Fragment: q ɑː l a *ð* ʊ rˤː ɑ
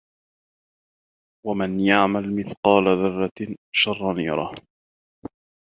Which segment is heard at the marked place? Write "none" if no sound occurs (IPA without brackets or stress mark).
ð